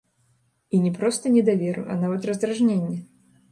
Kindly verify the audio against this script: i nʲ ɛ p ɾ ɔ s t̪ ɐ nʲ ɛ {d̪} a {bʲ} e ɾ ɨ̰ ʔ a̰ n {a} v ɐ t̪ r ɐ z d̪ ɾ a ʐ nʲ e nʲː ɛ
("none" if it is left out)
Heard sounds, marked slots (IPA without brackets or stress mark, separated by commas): d̪, vʲ, a